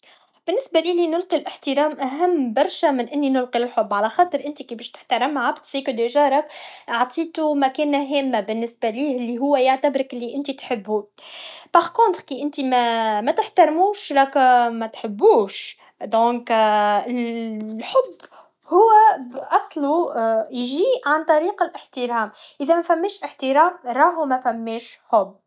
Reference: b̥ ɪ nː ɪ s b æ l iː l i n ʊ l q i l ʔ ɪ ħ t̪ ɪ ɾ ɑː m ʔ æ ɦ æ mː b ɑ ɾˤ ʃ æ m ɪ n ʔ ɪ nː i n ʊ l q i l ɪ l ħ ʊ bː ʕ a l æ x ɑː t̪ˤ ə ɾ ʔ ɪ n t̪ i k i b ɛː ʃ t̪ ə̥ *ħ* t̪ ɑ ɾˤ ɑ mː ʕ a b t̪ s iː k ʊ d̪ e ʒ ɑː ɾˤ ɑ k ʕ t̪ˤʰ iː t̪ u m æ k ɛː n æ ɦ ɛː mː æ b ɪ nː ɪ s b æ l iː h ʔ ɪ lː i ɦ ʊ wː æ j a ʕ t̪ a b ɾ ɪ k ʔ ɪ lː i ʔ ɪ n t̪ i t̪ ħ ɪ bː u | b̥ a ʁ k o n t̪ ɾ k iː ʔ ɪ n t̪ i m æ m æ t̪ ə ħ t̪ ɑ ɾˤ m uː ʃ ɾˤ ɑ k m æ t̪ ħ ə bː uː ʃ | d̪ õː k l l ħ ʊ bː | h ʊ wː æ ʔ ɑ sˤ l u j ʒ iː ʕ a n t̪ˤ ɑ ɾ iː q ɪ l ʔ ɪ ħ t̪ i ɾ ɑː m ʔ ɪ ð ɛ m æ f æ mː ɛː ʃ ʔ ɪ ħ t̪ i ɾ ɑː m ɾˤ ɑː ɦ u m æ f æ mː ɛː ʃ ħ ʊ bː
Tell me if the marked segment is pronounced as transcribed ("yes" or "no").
yes